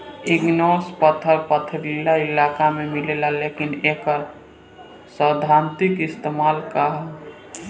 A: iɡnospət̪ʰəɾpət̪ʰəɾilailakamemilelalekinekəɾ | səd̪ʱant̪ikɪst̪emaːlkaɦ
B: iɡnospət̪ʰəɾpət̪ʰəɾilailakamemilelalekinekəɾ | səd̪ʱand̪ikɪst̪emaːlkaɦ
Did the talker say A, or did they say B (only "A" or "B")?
A